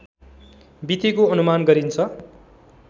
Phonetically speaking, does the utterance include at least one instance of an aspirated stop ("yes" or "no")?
yes